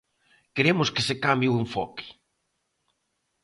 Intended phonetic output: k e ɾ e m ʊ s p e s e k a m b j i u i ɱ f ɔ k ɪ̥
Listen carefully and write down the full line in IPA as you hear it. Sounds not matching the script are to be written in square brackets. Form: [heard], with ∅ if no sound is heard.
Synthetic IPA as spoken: k e ɾ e m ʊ s [k] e s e k a m b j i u [e] ɱ f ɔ k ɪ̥